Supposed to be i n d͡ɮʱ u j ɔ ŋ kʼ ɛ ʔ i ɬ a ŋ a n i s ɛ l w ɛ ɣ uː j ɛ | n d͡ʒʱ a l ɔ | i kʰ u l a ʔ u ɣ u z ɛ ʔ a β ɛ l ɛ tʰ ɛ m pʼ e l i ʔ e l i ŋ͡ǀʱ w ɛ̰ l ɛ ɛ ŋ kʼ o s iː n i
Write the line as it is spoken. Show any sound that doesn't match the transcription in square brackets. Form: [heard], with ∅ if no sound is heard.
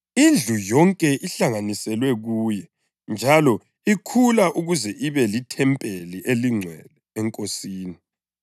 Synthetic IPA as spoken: i n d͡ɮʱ u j ɔ ŋ kʼ ɛ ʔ i ɬ a ŋ a n i s ɛ l w ɛ ɣ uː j ɛ | n d͡ʒʱ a l ɔ | i kʰ u l a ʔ u ɣ u z ɛ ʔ [i] β ɛ l [i] tʰ ɛ m pʼ e l i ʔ e l i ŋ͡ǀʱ w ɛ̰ l ɛ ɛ ŋ kʼ o s iː n i